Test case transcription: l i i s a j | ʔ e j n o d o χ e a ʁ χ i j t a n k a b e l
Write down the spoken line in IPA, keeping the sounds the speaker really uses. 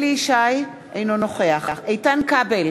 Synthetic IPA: l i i ʃ a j | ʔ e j n o n o χ e a χ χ e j t a n k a b e l